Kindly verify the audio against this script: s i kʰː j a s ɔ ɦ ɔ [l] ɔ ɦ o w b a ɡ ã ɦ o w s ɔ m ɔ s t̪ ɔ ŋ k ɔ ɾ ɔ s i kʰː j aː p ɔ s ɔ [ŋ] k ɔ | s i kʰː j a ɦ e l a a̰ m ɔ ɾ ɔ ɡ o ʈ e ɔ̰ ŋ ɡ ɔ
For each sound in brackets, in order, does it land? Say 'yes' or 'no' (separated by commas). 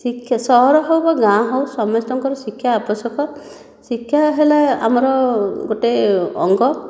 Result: no, no